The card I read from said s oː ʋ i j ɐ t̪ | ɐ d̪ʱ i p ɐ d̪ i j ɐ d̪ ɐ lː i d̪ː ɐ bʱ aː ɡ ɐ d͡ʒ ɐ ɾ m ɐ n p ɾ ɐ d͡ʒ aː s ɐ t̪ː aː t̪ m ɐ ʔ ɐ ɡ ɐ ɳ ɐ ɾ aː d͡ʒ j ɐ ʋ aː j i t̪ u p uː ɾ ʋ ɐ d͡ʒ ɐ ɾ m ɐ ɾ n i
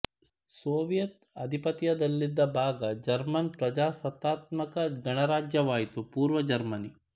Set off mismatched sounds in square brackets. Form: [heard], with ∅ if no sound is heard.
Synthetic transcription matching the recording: s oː ʋ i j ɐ t̪ | ɐ d̪ʱ i p ɐ [t̪] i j ɐ d̪ ɐ lː i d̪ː ɐ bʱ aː ɡ ɐ d͡ʒ ɐ ɾ m ɐ n p ɾ ɐ d͡ʒ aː s ɐ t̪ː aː t̪ m ɐ [k] ɐ ɡ ɐ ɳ ɐ ɾ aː d͡ʒ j ɐ ʋ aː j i t̪ u p uː ɾ ʋ ɐ d͡ʒ ɐ ɾ m ɐ [∅] n i